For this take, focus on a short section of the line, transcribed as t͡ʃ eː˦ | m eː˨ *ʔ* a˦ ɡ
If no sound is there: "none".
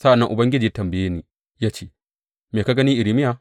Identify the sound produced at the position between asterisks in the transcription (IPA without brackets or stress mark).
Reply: k